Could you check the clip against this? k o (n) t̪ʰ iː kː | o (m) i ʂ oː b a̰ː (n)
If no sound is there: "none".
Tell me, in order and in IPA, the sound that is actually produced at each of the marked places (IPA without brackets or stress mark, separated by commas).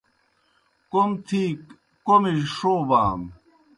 m, m, m